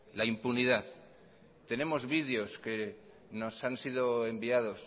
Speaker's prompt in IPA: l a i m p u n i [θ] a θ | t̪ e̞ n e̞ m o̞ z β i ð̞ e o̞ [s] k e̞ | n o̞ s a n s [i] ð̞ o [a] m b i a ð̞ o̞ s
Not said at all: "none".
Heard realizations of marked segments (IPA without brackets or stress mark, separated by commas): ð, s, i, e